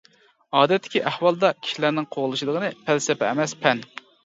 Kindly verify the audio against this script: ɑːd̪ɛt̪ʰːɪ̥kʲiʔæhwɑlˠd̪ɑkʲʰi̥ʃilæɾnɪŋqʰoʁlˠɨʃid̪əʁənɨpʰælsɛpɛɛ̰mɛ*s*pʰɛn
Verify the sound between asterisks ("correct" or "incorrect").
correct